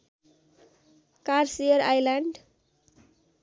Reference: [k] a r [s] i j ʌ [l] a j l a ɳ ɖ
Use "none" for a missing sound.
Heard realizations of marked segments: k, s, ɾ

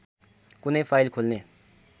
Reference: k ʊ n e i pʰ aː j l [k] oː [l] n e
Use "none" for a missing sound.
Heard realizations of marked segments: kʰ, l

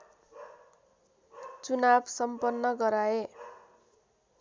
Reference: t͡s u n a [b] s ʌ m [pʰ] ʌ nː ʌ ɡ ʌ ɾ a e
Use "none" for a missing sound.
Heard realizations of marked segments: b, p

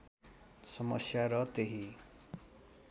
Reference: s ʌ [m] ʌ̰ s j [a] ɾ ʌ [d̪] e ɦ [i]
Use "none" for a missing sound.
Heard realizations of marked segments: m, a, t̪, i

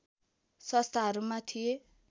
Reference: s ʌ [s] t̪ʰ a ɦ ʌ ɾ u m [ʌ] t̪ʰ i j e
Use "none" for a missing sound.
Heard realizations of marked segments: s, a

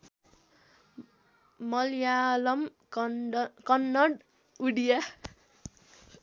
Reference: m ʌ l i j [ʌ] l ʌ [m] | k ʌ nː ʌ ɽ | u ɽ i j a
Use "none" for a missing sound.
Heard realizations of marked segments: a, m

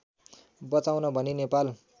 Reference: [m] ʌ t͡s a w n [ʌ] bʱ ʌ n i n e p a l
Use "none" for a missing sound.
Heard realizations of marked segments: b, ʌ

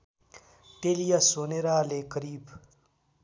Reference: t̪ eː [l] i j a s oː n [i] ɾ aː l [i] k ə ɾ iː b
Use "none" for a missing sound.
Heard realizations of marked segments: l, e, e

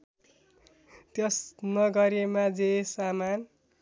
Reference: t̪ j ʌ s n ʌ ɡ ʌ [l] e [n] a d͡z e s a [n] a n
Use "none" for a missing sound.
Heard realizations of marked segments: ɾ, m, m

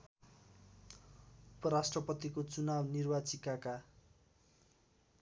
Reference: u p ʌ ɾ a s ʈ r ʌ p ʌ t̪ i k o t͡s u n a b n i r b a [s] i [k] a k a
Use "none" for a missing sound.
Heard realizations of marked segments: t͡s, k

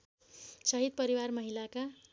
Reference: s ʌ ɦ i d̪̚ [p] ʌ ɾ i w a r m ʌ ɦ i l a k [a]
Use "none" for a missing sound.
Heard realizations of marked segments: p, a

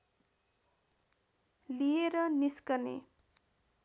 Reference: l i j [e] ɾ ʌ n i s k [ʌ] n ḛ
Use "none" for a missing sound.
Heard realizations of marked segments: e, ʌ

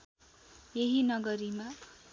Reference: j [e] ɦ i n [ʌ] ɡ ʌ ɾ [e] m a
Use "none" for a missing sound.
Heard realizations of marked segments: e, ʌ, i

